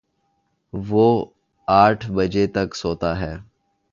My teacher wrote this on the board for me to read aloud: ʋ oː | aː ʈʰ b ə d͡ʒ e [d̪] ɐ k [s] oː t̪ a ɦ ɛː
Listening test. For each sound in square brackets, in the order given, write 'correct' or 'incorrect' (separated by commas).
incorrect, correct